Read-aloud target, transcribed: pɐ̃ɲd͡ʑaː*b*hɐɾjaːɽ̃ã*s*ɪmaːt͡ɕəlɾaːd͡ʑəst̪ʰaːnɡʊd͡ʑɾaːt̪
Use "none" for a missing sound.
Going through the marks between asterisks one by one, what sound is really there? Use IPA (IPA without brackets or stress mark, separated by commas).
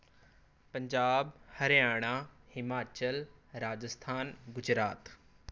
b, h